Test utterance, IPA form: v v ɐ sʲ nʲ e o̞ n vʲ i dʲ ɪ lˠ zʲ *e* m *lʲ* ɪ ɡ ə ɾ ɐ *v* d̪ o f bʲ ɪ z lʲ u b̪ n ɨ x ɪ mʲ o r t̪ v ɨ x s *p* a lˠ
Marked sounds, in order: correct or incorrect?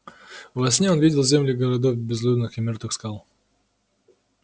correct, correct, incorrect: none, incorrect: k

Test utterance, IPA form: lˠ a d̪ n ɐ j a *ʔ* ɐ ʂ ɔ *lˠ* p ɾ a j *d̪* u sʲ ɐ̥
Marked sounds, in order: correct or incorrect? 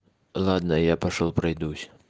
incorrect: p, correct, correct

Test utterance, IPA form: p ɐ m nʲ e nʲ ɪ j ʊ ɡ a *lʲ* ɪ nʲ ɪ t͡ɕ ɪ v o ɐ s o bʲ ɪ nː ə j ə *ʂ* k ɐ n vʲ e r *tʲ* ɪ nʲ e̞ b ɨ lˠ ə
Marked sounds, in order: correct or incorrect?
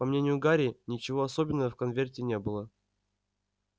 incorrect: ɾʲ, incorrect: f, correct

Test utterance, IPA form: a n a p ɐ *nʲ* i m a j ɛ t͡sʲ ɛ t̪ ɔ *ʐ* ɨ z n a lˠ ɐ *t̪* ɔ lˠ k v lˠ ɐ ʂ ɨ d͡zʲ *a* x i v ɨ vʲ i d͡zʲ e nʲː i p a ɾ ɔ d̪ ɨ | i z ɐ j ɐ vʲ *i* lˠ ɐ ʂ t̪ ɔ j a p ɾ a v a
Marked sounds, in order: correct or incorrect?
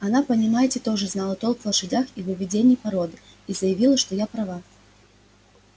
correct, correct, correct, correct, correct

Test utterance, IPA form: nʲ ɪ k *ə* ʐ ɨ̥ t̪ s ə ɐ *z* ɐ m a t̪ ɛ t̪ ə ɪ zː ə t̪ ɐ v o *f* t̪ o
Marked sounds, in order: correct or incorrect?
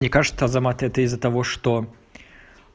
incorrect: a, correct, incorrect: ʂ

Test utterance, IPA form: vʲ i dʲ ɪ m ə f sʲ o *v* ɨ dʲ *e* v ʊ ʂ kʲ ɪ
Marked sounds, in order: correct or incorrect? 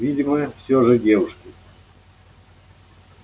incorrect: ʐ, correct

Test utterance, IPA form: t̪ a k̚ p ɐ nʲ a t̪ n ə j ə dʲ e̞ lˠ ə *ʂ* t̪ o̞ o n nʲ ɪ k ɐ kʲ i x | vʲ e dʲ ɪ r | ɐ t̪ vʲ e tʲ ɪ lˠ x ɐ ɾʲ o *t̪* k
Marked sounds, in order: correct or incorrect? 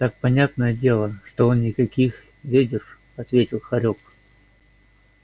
correct, incorrect: none

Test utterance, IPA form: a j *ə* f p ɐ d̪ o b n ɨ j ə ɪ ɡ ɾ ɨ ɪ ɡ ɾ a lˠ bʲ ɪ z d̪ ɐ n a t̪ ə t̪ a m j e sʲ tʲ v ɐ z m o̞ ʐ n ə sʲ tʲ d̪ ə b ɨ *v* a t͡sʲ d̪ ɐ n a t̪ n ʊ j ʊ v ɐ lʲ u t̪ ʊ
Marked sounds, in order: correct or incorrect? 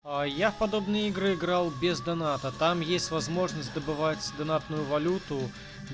incorrect: a, correct

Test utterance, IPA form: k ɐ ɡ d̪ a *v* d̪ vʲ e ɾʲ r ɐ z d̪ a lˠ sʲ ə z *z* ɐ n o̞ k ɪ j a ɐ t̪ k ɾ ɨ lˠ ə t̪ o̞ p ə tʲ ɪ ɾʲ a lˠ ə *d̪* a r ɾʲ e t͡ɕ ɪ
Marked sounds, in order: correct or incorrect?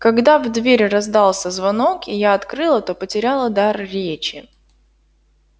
correct, incorrect: v, correct

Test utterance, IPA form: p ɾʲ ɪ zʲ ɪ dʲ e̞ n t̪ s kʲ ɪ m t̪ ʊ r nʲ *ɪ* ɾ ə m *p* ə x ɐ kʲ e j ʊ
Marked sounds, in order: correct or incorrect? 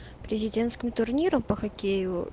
incorrect: i, correct

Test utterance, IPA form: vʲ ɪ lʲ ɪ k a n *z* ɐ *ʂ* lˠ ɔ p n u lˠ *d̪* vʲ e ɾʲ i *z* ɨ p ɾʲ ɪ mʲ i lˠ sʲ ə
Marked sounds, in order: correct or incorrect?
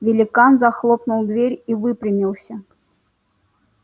correct, incorrect: x, correct, incorrect: v

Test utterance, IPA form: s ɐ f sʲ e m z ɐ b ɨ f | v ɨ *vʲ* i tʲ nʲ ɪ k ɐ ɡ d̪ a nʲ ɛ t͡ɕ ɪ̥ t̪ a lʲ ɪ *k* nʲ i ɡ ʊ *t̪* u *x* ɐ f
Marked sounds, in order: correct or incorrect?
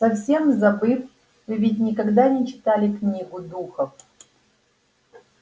correct, correct, incorrect: d̪, correct

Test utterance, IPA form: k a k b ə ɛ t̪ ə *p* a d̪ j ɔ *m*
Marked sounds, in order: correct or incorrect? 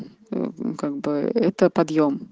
correct, correct

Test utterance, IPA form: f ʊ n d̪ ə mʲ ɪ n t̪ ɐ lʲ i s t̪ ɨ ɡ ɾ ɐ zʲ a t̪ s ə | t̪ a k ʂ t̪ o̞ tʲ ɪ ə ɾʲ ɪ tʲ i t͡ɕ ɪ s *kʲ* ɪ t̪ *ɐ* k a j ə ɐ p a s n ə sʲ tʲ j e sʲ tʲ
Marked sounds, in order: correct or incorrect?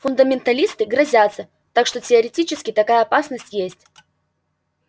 correct, correct

